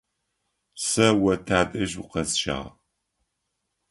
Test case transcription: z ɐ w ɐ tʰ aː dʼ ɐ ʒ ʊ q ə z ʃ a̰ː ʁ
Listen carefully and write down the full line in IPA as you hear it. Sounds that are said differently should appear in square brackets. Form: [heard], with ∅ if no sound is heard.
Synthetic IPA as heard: [s] ɐ w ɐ tʰ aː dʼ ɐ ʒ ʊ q [ɐ] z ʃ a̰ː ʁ